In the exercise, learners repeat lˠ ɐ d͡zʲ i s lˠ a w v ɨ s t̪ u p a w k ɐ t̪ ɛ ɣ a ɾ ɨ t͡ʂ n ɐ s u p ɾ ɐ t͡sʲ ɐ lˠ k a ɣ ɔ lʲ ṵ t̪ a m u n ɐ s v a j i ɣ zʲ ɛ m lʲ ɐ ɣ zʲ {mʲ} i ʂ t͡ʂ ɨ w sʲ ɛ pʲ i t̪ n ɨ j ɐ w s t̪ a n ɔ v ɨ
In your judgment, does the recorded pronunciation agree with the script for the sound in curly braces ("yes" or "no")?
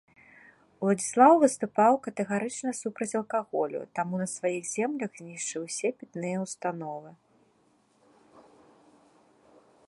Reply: no